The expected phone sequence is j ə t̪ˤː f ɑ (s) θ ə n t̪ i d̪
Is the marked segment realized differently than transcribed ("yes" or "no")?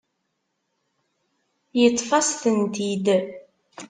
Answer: no